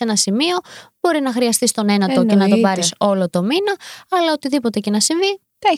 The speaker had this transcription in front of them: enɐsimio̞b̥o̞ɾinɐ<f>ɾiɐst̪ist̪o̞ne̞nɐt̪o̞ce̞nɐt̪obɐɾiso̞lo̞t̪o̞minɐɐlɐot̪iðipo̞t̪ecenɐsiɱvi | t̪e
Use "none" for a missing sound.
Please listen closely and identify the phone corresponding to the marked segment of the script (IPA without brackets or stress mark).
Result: x